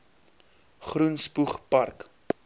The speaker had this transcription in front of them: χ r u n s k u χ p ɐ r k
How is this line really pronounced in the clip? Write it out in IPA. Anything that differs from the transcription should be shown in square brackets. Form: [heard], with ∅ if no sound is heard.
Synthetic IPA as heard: χ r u n s [p] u χ p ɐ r k

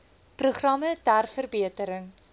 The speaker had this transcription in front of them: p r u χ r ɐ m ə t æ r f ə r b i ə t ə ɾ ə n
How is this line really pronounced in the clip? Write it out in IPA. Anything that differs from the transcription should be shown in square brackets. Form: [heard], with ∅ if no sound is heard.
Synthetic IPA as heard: p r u χ r ɐ m ə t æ r f ə r b i ə t ə ɾ ə [ŋ]

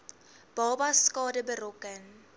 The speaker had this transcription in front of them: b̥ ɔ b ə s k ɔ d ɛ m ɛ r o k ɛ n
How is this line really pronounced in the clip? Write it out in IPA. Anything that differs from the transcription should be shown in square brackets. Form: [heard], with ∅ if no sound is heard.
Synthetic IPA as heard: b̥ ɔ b [a] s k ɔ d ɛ [b] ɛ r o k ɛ n

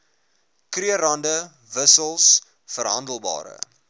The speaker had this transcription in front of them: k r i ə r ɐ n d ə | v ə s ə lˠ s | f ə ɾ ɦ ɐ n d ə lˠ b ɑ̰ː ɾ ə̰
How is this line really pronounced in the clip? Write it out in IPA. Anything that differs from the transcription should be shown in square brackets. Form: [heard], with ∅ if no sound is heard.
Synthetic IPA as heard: k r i ə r ɐ n d ə | v ə s ə lˠ s | f ə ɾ ɦ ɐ n d ə lˠ b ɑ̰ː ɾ ə̰

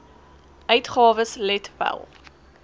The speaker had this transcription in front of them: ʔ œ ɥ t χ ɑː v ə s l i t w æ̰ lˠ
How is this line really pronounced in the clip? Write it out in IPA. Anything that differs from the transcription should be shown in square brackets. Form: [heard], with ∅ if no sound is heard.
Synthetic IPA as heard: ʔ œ ɥ t χ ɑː v ə s l [ɛ] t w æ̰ lˠ

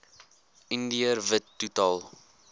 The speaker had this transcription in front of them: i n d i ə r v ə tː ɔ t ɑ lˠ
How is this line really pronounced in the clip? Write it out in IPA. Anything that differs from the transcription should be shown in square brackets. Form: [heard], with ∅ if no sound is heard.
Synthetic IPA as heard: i n d i ə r v ə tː [u] t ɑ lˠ

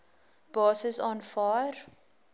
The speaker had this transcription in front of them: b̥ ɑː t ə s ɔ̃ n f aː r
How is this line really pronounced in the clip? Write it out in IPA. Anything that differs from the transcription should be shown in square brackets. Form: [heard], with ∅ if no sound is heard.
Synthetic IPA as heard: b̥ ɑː [s] ə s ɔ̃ n f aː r

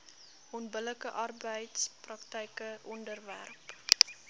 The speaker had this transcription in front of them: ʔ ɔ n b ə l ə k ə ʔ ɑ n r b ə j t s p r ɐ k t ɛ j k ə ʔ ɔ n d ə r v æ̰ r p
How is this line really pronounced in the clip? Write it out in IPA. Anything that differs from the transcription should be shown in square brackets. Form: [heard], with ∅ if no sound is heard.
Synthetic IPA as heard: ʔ ɔ n b ə l ə k ə ʔ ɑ [∅] r b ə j t s p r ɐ k t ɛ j k ə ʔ ɔ n d ə r v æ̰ r p

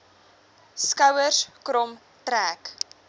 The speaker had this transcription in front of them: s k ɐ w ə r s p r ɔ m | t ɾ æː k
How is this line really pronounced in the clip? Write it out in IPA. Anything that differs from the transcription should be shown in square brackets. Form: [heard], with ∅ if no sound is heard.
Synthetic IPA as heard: s k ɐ w ə r s [k] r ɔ m | t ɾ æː k

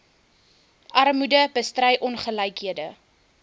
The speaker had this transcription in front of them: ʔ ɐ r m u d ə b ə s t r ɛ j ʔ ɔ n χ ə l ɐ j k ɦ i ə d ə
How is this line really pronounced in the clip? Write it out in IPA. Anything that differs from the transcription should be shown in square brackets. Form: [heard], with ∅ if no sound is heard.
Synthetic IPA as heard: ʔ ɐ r m u d ə b ə s t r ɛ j ʔ ɔ n χ ə l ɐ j k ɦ i ə d ə

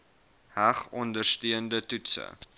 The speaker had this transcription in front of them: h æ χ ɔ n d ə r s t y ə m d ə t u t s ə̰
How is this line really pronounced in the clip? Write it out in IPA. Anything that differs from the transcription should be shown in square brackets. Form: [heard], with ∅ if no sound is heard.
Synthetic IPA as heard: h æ χ ɔ n d ə r s t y ə [n] d ə t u t s ə̰

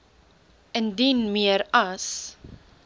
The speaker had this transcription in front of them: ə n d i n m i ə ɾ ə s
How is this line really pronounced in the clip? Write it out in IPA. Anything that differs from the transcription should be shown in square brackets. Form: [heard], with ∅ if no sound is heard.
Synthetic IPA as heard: ə n d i n m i ə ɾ [ɐ] s

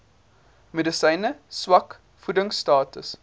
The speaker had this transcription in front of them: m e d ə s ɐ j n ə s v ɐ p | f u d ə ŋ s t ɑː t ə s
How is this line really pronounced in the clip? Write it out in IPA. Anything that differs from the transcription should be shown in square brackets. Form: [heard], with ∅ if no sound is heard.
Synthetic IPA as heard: m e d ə s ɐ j n ə s [w] ɐ [k] | f u d ə ŋ s t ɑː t ə s

